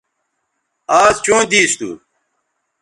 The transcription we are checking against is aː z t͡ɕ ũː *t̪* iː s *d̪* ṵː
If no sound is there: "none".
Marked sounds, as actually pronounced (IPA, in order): d̪, t̪

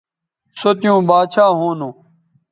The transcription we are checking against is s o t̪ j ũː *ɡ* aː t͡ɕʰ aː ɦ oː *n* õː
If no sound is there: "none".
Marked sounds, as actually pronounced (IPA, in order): b, n

